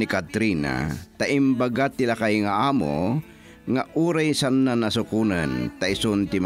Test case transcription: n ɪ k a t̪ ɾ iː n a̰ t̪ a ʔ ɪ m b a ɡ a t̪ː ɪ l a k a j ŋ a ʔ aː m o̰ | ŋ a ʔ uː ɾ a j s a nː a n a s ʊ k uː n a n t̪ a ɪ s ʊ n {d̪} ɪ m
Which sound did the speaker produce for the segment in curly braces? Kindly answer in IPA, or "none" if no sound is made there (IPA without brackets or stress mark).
t̪